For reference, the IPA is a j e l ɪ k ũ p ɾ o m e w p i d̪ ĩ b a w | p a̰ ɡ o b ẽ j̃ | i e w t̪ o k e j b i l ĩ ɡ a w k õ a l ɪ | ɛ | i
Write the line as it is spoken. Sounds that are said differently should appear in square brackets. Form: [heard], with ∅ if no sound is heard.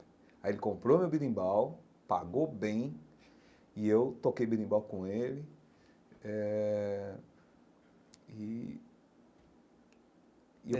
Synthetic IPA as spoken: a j e l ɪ k [õ] p ɾ o m e w [b] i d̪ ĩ b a w | p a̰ ɡ o b ẽ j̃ | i e w t̪ o k e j b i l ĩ [b] a w k õ [e] l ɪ | ɛ | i